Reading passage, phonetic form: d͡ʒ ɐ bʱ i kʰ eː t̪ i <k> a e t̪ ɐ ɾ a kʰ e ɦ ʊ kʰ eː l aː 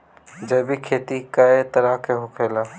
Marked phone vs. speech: correct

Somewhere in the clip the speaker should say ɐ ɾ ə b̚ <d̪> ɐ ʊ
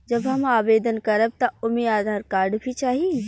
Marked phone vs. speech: incorrect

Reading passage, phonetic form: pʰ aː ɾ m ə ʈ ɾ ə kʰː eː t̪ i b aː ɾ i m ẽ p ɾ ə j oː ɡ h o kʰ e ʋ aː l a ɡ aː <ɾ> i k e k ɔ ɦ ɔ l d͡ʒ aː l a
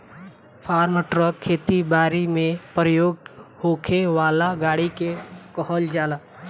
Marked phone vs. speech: incorrect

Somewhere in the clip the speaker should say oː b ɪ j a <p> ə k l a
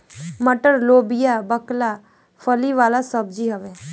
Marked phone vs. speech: incorrect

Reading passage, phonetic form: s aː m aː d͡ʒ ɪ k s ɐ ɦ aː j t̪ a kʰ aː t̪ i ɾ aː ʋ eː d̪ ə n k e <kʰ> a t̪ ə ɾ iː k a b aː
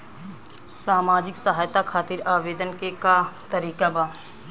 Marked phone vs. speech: incorrect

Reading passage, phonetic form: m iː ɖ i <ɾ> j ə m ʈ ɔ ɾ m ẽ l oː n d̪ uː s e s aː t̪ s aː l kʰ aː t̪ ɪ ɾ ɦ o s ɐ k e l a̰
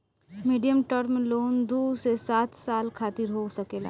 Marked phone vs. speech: incorrect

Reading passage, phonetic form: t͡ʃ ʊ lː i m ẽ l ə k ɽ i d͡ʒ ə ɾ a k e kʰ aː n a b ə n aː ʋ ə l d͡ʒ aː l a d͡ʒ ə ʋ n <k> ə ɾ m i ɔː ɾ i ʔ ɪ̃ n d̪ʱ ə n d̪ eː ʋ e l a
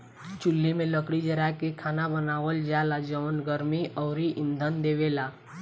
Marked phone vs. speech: incorrect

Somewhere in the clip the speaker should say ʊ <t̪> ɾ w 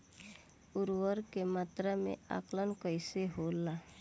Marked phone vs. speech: incorrect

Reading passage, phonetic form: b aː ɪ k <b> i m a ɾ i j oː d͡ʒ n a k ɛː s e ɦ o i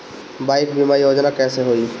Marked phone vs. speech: correct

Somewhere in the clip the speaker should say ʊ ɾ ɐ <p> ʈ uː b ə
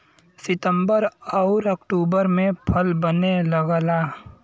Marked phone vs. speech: incorrect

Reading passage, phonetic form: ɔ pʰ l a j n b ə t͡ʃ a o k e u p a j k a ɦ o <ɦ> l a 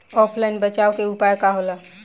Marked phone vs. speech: incorrect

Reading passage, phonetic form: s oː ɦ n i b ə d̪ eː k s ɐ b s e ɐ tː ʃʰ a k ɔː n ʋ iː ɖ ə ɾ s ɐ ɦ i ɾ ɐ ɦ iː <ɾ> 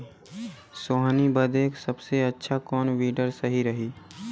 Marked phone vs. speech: incorrect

